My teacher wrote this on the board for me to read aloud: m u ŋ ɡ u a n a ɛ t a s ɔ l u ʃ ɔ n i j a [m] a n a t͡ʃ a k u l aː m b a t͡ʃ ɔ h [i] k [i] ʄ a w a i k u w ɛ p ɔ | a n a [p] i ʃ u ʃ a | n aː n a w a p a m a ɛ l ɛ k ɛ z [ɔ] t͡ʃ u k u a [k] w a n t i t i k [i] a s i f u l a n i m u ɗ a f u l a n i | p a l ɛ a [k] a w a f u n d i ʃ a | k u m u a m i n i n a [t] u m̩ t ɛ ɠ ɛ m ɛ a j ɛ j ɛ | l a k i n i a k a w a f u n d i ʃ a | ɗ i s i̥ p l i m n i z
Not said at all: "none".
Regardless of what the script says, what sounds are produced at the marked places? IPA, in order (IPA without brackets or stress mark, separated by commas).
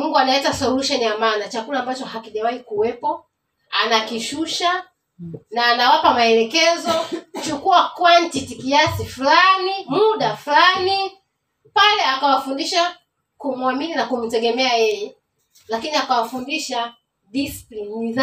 m, a, i, k, ɔ, k, i, k, k